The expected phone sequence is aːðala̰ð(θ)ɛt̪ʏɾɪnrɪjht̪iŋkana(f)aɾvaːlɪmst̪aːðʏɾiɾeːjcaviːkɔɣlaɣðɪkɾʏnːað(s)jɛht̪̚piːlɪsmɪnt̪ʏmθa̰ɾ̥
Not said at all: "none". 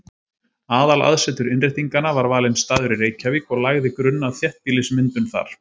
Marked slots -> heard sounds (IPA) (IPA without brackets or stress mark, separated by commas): s, v, θ